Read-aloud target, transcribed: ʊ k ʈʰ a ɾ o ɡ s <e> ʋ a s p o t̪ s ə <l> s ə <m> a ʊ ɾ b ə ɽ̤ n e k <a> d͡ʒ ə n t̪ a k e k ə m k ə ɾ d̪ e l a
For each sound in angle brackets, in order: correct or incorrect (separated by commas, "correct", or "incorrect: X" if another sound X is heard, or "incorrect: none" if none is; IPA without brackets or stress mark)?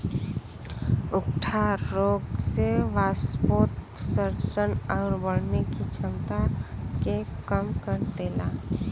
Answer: correct, incorrect: ɾ, incorrect: n, incorrect: i